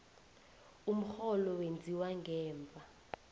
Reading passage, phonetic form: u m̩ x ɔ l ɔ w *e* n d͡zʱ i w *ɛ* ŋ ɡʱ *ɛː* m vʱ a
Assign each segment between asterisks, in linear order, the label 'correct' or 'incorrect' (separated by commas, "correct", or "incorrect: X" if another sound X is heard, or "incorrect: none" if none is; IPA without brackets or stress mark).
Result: correct, incorrect: a, correct